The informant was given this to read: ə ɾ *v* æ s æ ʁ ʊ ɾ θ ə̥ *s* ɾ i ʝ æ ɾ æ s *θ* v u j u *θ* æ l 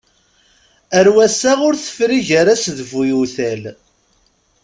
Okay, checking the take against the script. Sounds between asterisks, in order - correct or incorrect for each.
incorrect: w, incorrect: f, incorrect: ð, correct

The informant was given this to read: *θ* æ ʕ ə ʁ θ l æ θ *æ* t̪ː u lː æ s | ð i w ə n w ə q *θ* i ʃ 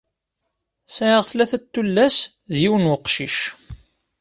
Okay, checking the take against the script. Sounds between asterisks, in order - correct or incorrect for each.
incorrect: s, correct, incorrect: ʃ

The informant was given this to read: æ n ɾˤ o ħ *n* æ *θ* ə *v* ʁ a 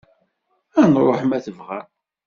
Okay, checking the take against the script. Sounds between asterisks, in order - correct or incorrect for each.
incorrect: m, correct, correct

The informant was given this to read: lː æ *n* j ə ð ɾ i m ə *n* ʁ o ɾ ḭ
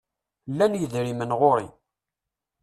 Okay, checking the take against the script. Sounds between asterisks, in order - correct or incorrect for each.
correct, correct

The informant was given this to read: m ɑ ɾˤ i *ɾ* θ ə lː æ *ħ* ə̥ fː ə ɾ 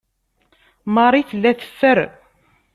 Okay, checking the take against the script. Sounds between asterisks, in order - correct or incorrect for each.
incorrect: none, incorrect: θ

